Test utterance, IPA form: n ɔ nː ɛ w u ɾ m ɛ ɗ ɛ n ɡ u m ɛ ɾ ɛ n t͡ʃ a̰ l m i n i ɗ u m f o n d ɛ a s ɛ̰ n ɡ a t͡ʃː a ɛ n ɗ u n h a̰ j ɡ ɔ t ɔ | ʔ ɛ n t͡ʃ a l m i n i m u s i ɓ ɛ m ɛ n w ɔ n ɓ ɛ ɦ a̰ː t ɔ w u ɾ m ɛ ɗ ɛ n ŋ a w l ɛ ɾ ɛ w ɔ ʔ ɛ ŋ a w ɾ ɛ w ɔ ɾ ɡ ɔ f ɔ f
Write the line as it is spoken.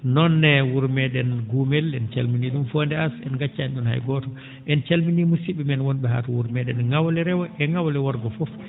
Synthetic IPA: n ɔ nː ɛ w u ɾ m ɛ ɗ ɛ n ɡ u m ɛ l ɛ n t͡ʃ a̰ l m i n i ɗ u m f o n d ɛ a s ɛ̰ n ɡ a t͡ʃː a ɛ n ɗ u n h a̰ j ɡ ɔ t ɔ | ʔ ɛ n t͡ʃ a l m i n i m u s i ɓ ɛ m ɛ n w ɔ n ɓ ɛ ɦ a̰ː t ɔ w u ɾ m ɛ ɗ ɛ n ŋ a w l ɛ ɾ ɛ w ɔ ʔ ɛ ŋ a w l ɛ w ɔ ɾ ɡ ɔ f ɔ f